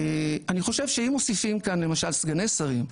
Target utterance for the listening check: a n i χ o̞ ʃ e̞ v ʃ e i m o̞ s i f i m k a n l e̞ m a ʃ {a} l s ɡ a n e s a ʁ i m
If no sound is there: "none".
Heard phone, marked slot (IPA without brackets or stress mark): a